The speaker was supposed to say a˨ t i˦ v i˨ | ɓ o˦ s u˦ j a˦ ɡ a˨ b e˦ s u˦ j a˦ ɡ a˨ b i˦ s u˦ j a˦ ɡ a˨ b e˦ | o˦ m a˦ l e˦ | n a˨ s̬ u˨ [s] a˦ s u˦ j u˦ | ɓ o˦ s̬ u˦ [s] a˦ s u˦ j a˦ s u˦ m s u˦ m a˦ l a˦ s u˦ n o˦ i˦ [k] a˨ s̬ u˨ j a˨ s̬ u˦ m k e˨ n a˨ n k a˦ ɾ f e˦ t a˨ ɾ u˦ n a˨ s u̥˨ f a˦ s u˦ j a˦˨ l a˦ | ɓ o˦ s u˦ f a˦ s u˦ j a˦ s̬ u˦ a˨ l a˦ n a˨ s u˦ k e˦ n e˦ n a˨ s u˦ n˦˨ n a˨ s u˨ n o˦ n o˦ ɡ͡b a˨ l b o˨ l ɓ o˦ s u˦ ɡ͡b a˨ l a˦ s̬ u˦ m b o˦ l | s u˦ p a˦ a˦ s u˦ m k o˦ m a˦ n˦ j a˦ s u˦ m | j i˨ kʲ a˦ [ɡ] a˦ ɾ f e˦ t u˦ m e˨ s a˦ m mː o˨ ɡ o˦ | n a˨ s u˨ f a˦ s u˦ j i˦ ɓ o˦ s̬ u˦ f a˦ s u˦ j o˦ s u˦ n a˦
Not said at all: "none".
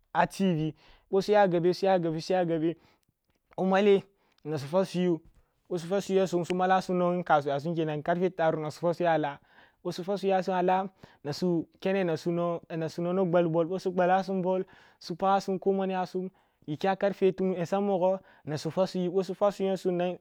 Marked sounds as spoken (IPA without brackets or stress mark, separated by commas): f, f, k, k